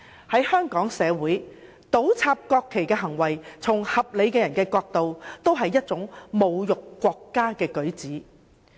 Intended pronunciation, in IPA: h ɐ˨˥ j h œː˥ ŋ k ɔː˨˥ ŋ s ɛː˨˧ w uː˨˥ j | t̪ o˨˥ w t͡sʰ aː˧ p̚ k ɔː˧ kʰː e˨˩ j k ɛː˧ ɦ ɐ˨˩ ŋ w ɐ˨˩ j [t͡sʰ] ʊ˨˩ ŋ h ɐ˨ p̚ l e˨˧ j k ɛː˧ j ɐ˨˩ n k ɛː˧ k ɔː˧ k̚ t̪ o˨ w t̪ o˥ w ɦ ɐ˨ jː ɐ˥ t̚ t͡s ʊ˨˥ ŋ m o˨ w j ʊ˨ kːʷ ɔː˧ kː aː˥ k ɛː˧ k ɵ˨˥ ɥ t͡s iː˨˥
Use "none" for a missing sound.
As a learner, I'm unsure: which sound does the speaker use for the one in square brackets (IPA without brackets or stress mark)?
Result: t͡sʰ